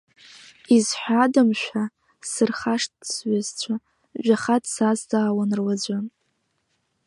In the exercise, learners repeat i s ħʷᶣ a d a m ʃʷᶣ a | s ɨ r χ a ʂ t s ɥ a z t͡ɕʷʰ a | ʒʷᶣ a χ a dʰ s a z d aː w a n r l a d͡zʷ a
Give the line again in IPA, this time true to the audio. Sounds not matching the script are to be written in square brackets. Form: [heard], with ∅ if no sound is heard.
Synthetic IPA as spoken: i [z] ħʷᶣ a d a m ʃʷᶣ a | s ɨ r χ a ʂ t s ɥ a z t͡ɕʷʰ a | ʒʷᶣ a χ a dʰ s a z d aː w a n r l a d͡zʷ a